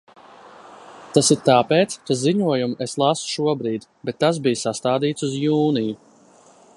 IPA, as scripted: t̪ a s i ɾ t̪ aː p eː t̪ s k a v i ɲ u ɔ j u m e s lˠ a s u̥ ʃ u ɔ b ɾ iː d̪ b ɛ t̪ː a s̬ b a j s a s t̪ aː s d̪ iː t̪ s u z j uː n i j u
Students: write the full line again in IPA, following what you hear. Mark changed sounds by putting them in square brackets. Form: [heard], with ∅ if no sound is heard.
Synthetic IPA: t̪ a s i ɾ t̪ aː p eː t̪ s k a [z] i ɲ u ɔ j u m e s lˠ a s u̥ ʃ u ɔ b ɾ iː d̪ b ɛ t̪ː a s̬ b [i] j s a s t̪ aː [∅] d̪ iː t̪ s u z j uː n i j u

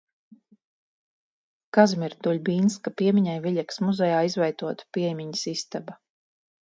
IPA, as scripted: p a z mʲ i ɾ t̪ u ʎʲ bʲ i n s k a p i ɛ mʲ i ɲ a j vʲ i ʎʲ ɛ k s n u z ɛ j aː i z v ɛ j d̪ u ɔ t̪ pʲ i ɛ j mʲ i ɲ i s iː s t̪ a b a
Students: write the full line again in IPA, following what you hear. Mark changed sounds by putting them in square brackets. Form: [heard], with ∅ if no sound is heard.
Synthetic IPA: [k] a z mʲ i ɾ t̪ u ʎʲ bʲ [iː] n s k a p i ɛ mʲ i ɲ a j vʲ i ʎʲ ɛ k s [m] u z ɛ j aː i z v ɛ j [t̪] u ɔ t̪ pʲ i ɛ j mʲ i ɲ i s [i] s t̪ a b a

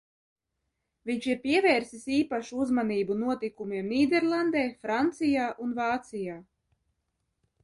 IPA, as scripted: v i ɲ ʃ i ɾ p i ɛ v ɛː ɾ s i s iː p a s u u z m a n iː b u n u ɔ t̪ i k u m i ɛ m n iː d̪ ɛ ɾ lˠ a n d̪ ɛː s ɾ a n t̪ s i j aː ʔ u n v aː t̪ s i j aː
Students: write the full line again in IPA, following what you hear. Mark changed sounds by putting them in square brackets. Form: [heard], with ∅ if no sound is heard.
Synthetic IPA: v i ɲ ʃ i ɾ p i ɛ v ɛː ɾ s i s iː p a [ʃ] u u z m a n iː b u n u ɔ t̪ i k u m i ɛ m n iː d̪ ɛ ɾ lˠ a n d̪ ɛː [f] ɾ a n t̪ s i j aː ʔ u n v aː t̪ s i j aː

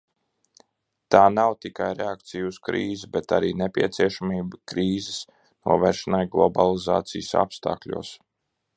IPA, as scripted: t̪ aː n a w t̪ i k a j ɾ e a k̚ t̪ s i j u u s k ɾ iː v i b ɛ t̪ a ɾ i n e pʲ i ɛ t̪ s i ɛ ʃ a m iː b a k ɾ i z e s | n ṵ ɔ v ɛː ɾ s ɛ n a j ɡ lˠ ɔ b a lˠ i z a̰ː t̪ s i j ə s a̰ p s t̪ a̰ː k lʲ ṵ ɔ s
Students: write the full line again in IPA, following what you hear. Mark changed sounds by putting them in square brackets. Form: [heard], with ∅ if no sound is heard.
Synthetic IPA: t̪ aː n a w t̪ i k a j ɾ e a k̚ t̪ s i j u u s k ɾ iː [z] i b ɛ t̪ a ɾ [iː] n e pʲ i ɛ t̪ s i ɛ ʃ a m iː b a k ɾ [iː] z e s | n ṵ ɔ v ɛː ɾ [ʃ] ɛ n a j ɡ lˠ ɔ b a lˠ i z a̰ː t̪ s i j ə s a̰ p s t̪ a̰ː k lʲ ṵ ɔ s

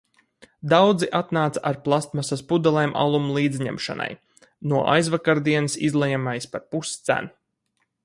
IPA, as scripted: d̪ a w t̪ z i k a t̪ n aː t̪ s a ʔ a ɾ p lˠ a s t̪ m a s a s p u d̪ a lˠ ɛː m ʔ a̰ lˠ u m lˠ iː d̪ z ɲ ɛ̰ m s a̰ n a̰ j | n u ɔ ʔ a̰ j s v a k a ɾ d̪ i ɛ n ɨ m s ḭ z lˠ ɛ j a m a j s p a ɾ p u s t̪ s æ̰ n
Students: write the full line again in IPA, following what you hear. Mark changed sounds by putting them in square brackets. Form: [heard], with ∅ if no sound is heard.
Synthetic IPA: d̪ a w [d̪] z i [ʔ] a t̪ n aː t̪ s a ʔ a ɾ p lˠ a s t̪ m a s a s p u d̪ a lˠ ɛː m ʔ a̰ lˠ u m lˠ iː d̪ z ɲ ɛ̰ m [ʃ] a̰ n a̰ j | n u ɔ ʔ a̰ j [z] v a k a ɾ d̪ i ɛ n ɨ [∅] s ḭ z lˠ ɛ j a m a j s p a ɾ p u s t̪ s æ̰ n

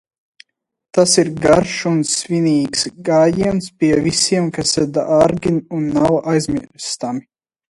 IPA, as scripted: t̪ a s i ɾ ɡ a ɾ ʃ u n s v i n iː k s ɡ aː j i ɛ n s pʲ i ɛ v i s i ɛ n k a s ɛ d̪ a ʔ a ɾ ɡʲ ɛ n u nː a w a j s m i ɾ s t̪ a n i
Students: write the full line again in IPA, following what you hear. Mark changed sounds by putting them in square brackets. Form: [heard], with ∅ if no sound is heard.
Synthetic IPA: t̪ a s i ɾ ɡ a ɾ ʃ u n s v i n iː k s ɡ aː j i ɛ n s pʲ i ɛ v i s i ɛ [m] k a s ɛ d̪ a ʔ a ɾ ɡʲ [i] n u nː a w a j [z] m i ɾ s t̪ a [m] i

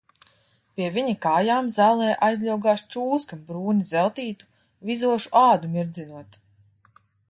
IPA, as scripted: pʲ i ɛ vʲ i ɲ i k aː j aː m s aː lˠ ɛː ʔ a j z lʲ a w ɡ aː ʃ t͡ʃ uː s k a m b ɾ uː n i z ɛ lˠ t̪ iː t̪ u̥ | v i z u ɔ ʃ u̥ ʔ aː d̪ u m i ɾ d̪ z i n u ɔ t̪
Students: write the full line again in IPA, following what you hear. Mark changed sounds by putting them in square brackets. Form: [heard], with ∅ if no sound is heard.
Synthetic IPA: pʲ i ɛ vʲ i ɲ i k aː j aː m [z] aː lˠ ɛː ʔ a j z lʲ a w ɡ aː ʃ t͡ʃ uː s k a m b ɾ uː n i z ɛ lˠ t̪ iː t̪ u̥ | v i z u ɔ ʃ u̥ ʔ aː d̪ u m i ɾ d̪ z i n u ɔ t̪

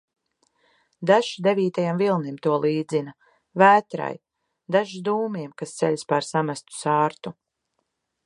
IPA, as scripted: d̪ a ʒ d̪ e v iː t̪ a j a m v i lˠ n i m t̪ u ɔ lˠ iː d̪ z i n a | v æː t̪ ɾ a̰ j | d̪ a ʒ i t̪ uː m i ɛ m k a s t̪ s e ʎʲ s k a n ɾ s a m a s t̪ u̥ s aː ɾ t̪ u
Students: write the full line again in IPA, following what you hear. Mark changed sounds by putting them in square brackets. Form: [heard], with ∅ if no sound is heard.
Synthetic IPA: d̪ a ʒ d̪ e v iː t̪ a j a m v i lˠ n i m t̪ u ɔ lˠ iː d̪ z i n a | v æː t̪ ɾ a̰ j | d̪ a ʒ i [d̪] uː m i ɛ m k a s t̪ s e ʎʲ s [p] a [∅] ɾ s a m a s t̪ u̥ s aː ɾ t̪ u

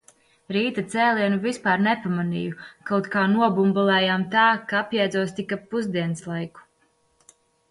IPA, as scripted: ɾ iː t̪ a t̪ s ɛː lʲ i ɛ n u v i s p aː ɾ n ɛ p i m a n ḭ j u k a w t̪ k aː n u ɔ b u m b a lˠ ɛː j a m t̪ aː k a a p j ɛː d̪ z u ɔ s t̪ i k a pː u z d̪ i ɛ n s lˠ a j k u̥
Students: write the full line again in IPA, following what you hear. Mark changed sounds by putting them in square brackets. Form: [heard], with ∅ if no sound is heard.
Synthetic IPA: ɾ iː t̪ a t̪ s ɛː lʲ i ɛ n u v i s p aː ɾ n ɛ p [a] m a n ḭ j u k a w t̪ k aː n u ɔ b u m b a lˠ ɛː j a m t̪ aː k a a p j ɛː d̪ z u ɔ s t̪ i k a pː u z d̪ i ɛ n s lˠ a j k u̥

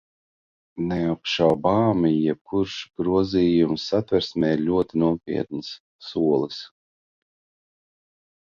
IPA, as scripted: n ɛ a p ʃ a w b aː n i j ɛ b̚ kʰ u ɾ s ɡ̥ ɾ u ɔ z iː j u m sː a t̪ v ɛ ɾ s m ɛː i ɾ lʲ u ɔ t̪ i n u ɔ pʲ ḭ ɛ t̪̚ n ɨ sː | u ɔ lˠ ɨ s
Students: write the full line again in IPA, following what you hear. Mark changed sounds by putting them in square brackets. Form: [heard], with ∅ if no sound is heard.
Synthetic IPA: n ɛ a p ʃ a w b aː [m] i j ɛ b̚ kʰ u ɾ [ʃ] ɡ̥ ɾ u ɔ z iː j u m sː a t̪ v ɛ ɾ s m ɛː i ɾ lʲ u ɔ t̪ i n u ɔ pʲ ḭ ɛ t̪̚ n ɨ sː | u ɔ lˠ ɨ s

